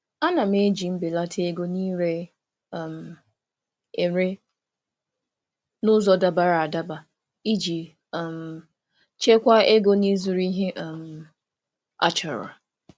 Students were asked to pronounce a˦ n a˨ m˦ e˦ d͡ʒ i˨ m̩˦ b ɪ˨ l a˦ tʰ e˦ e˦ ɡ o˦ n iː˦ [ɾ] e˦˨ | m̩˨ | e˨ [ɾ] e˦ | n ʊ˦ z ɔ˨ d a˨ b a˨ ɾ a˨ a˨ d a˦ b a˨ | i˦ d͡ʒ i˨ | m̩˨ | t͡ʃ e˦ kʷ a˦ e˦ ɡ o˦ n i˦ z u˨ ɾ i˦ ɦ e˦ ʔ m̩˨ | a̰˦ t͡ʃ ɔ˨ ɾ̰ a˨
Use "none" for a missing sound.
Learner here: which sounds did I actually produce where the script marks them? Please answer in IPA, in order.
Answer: ɾ, ɾ

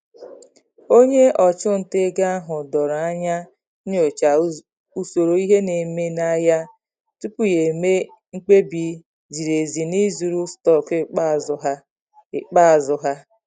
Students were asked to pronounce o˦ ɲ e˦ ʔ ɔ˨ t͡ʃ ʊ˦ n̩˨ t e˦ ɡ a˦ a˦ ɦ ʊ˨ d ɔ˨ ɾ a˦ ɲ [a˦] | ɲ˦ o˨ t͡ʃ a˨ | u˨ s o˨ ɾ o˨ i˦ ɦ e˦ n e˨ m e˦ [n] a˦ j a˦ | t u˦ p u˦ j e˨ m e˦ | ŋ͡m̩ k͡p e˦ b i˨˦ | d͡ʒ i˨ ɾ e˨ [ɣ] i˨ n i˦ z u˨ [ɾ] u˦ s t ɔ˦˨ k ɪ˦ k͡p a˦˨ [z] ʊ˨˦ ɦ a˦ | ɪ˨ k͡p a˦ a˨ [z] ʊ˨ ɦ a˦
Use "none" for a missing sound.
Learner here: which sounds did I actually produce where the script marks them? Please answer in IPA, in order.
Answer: a˦, n, z, ɾ, z, z

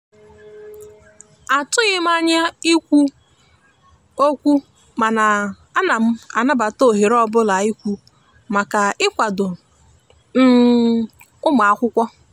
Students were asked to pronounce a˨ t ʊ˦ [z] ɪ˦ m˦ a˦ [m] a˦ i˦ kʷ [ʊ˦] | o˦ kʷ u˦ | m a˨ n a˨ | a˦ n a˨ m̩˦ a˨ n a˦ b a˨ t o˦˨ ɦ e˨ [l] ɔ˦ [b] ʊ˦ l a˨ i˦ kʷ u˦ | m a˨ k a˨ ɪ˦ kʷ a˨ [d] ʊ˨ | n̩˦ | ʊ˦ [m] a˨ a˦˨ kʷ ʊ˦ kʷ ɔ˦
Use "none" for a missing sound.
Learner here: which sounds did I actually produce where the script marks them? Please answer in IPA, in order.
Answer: ɣ, ɲ, u˦, ɾ, b, d, m

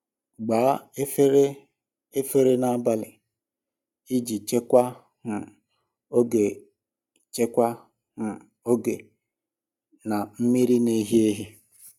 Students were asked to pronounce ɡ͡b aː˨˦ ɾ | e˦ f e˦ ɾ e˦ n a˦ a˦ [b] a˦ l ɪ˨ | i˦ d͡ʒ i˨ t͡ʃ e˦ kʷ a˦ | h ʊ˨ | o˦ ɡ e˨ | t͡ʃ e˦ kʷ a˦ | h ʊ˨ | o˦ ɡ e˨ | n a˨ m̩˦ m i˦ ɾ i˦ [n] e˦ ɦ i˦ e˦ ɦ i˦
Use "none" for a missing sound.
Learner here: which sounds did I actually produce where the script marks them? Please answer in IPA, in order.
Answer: b, n

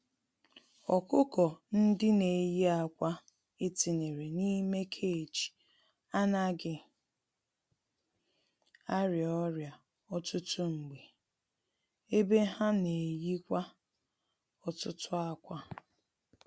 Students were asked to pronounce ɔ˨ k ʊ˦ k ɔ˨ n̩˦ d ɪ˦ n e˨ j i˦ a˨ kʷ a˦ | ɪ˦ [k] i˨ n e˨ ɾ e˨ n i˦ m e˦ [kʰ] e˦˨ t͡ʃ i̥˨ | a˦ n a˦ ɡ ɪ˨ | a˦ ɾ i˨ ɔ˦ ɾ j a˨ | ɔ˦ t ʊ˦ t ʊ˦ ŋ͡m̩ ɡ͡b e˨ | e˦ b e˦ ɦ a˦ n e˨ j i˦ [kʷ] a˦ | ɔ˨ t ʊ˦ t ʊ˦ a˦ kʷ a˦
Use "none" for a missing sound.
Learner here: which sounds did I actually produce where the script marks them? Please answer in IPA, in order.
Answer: t, kʰ, kʷ

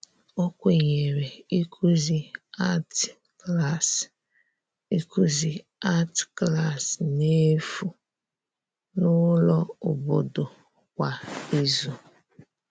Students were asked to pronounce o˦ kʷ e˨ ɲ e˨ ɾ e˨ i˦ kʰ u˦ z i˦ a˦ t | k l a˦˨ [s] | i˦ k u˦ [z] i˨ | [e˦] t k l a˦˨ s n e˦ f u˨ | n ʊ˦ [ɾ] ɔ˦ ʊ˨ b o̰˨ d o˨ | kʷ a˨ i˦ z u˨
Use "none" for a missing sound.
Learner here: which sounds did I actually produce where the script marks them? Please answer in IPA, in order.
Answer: s, z, a˦, l

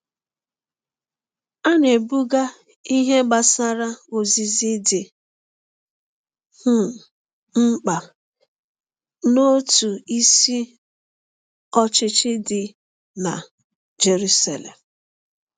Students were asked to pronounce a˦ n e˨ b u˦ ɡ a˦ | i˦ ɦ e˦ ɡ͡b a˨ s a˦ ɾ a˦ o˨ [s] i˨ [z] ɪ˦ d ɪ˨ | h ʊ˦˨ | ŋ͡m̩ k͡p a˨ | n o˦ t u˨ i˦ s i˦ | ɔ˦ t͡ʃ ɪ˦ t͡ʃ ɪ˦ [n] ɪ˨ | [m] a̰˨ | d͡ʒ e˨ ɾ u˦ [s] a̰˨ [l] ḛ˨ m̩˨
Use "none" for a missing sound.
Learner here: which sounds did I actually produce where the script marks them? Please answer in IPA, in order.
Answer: z, z, d, n, s, l

